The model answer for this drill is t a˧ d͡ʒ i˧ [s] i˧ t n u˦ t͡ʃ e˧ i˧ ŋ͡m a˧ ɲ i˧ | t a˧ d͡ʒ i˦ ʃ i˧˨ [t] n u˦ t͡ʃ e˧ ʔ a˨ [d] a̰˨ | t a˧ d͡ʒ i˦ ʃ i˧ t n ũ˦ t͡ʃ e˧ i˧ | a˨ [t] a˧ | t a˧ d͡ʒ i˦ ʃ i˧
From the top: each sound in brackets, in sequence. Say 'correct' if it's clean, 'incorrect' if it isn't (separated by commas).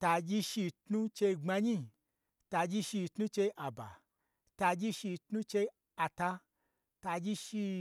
incorrect, correct, incorrect, correct